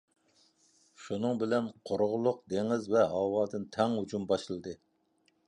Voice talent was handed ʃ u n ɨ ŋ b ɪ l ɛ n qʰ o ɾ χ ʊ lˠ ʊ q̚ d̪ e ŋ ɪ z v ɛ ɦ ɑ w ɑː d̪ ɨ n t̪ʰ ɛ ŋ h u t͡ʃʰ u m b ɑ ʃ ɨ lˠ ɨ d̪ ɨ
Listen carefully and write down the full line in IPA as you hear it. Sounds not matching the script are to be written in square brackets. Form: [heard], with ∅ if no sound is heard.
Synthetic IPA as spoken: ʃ u n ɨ ŋ b ɪ l ɛ n qʰ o ɾ [ʁ] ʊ lˠ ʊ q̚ d̪ e ŋ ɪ z v ɛ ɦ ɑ w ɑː d̪ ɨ n t̪ʰ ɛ ŋ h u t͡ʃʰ u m b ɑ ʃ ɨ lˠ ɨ d̪ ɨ